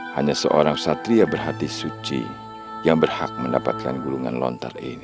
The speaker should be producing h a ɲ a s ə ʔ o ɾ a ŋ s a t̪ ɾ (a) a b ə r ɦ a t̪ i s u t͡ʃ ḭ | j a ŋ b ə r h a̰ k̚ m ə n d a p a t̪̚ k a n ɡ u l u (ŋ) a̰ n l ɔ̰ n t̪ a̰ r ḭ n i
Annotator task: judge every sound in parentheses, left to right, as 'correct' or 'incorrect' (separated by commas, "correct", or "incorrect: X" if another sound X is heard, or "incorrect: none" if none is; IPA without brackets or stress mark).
incorrect: i, correct